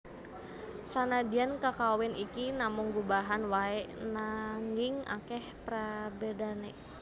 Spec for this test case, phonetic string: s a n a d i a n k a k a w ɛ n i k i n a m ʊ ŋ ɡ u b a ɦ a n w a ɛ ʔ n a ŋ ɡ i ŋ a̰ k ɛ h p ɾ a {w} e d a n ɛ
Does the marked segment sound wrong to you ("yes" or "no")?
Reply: yes